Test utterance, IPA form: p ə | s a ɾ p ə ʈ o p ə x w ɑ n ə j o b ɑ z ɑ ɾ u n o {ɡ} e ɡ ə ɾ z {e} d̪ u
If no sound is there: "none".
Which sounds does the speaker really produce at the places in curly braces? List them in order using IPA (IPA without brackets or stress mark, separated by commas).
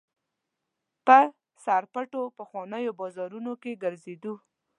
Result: k, e